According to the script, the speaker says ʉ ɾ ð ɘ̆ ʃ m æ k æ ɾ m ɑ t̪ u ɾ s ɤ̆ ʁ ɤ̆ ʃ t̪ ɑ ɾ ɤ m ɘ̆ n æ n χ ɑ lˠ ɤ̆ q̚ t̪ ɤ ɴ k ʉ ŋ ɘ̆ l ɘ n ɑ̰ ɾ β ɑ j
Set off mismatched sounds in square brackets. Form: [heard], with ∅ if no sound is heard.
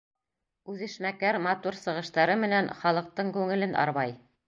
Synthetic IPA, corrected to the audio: ʉ [∅] ð ɘ̆ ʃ m æ k æ ɾ m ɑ t̪ u ɾ s ɤ̆ ʁ ɤ̆ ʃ t̪ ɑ ɾ ɤ m ɘ̆ n æ n χ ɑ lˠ ɤ̆ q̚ t̪ ɤ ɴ k ʉ ŋ ɘ̆ l ɘ n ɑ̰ ɾ β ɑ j